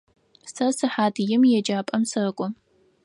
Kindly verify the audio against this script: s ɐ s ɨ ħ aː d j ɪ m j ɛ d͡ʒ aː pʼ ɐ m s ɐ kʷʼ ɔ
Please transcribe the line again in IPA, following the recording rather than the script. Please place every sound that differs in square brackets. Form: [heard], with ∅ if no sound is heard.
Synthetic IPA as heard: s ɐ s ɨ ħ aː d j ɪ m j ɛ d͡ʒ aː pʼ ɐ m s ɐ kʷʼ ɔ